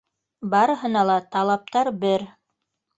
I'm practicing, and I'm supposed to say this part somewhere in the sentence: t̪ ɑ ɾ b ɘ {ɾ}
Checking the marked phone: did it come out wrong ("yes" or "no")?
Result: no